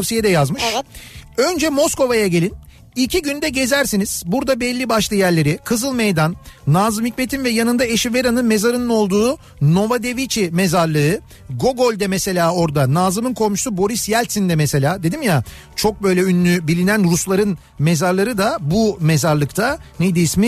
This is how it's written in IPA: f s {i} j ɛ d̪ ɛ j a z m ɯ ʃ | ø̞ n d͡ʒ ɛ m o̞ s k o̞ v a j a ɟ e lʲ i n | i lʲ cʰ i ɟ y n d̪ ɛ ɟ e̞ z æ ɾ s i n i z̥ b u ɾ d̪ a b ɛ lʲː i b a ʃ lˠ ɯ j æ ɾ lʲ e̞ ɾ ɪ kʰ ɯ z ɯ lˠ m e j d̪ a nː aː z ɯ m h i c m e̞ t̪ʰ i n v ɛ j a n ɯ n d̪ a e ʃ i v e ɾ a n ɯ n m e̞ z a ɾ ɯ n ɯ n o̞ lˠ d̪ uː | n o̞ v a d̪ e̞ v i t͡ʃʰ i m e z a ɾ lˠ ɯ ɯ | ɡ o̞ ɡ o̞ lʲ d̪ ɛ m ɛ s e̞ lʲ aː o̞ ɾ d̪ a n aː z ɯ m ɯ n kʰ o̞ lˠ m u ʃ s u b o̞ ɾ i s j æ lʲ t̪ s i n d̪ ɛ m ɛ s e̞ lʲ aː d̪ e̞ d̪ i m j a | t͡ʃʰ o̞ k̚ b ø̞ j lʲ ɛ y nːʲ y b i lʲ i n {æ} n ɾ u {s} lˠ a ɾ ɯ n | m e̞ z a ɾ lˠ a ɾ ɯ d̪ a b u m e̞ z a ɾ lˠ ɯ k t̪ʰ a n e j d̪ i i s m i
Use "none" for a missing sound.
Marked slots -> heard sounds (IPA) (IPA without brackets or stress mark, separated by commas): i, æ, s